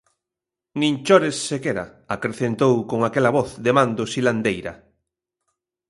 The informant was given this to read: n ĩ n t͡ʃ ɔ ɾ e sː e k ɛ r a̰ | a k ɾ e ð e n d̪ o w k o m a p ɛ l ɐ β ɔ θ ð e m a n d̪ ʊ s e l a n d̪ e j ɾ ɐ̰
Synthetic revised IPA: n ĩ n t͡ʃ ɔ ɾ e sː e k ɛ ɾ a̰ | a k ɾ e θ e n t̪ o w k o ŋ a k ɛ l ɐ β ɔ θ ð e m a n d̪ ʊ s i l a n d̪ e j ɾ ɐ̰